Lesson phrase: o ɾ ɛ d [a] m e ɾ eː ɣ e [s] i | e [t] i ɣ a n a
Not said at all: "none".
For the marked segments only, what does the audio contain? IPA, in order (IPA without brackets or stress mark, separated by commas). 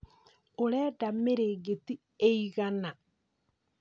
a, t, none